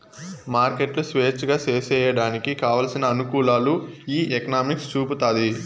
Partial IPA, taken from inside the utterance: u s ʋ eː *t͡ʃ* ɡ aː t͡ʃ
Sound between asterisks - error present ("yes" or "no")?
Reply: no